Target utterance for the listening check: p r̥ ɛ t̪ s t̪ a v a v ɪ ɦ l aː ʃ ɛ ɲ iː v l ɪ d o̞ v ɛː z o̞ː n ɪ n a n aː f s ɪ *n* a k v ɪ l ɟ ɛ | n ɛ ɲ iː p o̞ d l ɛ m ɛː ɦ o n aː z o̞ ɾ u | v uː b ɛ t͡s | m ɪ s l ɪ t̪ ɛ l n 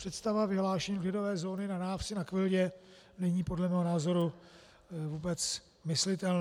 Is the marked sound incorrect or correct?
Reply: correct